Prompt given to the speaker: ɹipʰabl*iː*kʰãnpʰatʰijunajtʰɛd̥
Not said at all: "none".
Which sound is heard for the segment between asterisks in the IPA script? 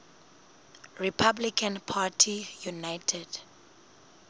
i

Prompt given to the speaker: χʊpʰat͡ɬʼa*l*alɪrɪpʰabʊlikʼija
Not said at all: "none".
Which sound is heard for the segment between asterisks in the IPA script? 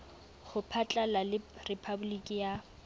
l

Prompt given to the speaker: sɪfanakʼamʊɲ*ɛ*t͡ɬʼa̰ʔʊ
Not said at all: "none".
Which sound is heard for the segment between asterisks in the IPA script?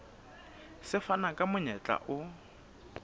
ɛ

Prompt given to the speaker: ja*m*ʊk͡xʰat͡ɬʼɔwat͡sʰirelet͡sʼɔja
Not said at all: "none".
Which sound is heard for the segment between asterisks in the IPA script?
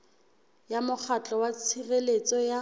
m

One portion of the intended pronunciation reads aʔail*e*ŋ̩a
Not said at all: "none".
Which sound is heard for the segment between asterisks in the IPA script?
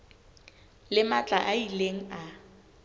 e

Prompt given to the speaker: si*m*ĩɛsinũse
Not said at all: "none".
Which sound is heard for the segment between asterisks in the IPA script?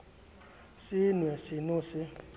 n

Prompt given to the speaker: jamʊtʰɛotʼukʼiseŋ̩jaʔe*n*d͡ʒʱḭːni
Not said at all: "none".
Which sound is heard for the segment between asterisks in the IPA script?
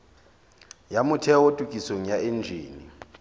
n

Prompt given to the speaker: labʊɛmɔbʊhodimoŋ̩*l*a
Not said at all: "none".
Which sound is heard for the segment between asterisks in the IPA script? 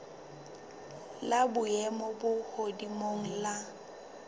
l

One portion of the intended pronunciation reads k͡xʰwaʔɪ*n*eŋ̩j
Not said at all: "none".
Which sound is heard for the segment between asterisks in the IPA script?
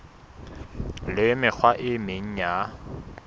m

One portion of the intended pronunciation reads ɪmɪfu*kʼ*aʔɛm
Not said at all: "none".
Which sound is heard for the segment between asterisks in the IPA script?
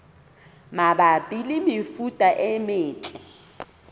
tʼ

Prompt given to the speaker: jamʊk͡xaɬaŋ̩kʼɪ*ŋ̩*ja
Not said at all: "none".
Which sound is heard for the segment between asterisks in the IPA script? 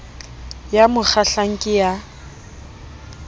none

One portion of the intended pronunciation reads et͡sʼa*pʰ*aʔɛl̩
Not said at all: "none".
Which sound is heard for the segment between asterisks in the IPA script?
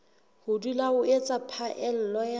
pʰ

